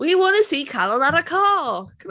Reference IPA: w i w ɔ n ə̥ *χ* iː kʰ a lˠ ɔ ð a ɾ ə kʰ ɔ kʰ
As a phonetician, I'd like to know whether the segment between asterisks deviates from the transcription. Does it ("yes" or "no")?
yes